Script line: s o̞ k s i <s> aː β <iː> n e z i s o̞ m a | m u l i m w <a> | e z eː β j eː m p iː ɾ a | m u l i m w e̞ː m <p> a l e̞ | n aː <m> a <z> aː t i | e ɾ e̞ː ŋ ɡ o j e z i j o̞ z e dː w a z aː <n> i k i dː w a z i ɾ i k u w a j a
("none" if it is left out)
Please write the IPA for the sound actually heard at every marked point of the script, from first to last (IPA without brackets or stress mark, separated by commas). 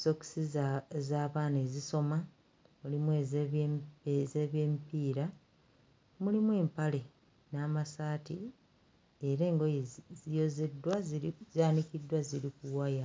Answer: z, aː, e, p, m, s, n